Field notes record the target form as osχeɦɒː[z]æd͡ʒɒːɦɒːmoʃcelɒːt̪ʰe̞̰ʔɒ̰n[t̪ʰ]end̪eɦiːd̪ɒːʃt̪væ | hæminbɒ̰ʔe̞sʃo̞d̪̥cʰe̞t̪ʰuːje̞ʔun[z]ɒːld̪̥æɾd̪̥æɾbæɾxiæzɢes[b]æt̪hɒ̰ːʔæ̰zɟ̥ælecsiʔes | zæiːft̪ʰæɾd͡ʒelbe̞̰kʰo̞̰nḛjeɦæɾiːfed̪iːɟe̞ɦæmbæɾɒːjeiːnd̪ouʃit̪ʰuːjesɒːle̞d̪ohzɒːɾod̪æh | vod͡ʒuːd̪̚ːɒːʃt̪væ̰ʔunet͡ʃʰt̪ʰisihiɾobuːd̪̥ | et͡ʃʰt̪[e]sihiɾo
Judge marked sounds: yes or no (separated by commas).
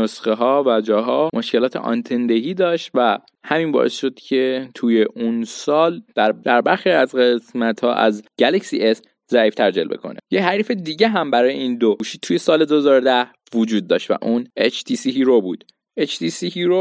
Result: no, yes, no, no, no